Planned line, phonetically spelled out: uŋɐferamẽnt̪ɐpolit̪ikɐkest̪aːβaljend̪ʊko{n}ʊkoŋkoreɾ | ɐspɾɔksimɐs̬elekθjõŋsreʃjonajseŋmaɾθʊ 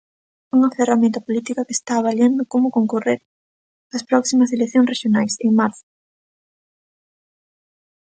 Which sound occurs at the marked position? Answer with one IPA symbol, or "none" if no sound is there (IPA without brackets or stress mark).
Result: m